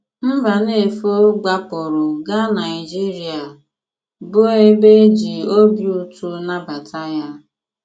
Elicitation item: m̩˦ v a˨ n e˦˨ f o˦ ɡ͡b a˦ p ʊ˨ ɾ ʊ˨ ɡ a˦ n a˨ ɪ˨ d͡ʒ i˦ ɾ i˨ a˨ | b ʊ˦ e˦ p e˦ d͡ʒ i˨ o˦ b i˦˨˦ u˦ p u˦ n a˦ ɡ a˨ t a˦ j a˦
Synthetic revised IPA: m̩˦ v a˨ n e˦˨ f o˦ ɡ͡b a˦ p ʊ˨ ɾ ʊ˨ ɡ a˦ n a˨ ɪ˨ d͡ʒ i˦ ɾ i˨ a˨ | b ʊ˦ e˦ b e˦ d͡ʒ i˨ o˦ b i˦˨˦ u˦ t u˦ n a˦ b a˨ t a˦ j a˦